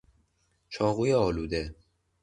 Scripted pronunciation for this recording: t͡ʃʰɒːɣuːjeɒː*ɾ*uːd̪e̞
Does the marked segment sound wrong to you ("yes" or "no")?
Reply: yes